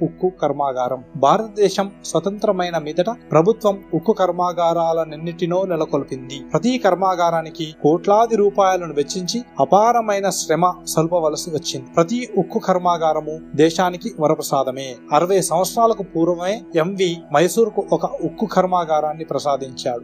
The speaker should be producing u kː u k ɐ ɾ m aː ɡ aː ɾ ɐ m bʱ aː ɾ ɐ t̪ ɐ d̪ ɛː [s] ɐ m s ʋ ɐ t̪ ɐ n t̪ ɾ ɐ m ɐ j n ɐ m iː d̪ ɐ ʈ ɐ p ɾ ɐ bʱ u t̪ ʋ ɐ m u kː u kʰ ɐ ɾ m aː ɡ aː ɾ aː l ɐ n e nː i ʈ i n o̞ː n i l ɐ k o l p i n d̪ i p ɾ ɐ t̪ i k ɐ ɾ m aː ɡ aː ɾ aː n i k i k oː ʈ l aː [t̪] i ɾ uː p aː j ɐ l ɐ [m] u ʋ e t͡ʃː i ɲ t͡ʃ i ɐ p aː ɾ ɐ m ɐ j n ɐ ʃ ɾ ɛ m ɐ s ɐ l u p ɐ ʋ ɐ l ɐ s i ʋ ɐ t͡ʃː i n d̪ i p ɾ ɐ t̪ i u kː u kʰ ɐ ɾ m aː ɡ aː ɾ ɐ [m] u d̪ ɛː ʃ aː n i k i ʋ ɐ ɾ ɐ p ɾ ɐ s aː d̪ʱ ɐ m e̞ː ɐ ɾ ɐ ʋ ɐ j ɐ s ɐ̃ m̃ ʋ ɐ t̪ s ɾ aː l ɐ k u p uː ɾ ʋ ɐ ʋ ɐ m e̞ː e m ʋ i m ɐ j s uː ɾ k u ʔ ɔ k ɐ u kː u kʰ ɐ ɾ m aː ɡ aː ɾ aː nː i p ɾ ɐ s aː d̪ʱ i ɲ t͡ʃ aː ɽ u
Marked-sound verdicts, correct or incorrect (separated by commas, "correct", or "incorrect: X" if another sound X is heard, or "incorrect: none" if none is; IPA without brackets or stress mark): incorrect: ʃ, incorrect: d̪, incorrect: n, correct